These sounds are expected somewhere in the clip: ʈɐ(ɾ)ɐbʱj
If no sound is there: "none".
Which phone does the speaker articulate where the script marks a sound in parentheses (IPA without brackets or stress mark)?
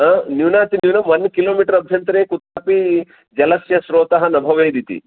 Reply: ɾ